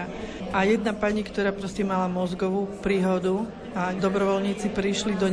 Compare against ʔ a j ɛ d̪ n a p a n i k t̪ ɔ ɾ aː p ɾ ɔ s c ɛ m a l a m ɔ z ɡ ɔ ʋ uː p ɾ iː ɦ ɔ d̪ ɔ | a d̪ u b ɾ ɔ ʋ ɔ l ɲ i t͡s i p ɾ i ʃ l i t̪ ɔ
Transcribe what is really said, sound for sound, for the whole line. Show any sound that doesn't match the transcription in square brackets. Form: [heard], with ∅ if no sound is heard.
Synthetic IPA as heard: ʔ a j ɛ d̪ n a p a [ɲ] i k t̪ ɔ ɾ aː p ɾ ɔ s c ɛ m a l a m ɔ z ɡ ɔ ʋ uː p ɾ iː ɦ ɔ d̪ [u] | a d̪ [ɔ] b ɾ ɔ ʋ ɔ l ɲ [iː] t͡s i p ɾ i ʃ l i [d̪] ɔ